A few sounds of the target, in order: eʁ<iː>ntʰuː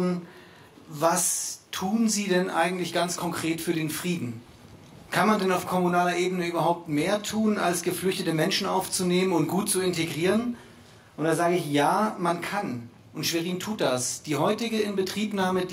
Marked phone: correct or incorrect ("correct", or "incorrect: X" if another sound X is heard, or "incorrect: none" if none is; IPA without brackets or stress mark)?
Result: correct